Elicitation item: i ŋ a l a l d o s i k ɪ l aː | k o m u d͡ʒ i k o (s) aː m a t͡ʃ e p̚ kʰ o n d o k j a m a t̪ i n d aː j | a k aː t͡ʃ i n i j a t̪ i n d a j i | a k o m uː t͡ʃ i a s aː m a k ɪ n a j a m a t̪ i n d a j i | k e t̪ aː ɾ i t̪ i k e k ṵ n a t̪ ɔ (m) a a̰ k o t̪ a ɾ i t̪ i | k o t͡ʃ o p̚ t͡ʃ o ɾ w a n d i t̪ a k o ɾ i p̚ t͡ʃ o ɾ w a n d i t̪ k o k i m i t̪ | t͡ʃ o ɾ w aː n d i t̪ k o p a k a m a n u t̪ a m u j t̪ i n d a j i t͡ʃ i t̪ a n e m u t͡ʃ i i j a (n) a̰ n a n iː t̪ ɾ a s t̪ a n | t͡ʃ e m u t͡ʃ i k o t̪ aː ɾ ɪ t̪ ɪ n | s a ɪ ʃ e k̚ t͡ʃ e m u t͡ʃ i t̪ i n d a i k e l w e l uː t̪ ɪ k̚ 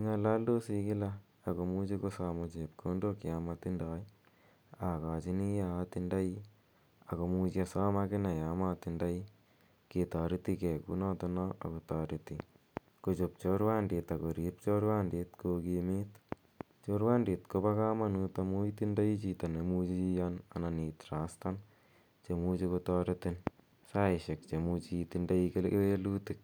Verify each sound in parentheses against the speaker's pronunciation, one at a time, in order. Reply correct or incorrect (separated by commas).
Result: correct, incorrect, correct